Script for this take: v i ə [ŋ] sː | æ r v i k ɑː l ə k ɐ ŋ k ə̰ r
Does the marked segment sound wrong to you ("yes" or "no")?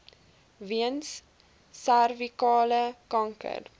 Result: yes